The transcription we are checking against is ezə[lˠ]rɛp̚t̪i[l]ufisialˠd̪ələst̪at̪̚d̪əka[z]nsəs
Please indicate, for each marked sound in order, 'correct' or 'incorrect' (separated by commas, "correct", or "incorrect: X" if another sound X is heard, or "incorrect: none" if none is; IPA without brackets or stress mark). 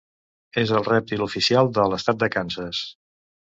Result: correct, correct, incorrect: none